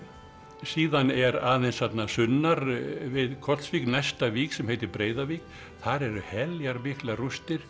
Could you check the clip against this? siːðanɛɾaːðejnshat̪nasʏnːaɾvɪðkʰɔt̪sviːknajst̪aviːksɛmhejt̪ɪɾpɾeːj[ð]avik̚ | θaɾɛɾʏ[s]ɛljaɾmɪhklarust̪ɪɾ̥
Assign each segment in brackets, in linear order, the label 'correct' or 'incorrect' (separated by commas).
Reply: correct, incorrect